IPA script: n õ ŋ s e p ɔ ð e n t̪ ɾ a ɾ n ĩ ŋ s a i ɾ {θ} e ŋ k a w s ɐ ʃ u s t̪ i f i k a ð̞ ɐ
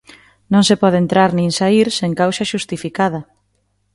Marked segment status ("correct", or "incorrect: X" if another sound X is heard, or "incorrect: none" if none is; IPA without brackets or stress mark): incorrect: s